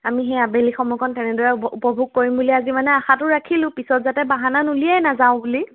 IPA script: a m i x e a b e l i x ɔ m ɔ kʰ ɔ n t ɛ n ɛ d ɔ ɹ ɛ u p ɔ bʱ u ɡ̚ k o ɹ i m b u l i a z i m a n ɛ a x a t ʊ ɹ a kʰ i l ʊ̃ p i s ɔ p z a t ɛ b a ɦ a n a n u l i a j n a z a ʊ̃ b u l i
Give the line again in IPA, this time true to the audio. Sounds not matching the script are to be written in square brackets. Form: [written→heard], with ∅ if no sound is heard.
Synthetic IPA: a m i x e a b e l i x ɔ m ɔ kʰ ɔ n t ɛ n ɛ d ɔ ɹ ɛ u p ɔ bʱ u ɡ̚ k o ɹ i m b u l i a z i m a n ɛ a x a t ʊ ɹ a kʰ i l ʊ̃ p i s ɔ [p→t] z a t ɛ b a ɦ a n a n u l i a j n a z a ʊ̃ b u l i